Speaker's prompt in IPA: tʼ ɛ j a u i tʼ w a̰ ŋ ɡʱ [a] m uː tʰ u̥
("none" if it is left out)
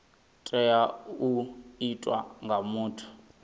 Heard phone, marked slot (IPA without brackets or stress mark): a